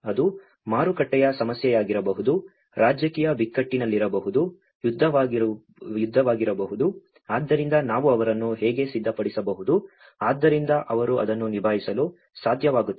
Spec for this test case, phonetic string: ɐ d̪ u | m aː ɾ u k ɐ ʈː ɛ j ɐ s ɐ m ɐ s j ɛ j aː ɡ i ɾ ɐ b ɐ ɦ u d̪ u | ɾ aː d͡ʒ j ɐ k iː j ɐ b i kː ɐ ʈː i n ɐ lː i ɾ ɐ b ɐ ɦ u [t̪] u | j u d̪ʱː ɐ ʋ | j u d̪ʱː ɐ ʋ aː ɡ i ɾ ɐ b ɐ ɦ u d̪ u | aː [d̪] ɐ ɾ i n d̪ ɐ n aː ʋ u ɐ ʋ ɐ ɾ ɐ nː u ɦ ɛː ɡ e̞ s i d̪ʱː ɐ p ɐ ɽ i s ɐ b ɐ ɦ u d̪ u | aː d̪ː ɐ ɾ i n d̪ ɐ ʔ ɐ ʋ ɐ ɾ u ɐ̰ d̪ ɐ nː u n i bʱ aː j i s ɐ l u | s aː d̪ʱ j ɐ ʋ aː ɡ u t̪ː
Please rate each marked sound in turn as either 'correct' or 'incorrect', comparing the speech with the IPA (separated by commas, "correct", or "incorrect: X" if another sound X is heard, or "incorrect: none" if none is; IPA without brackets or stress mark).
incorrect: d̪, incorrect: d̪ː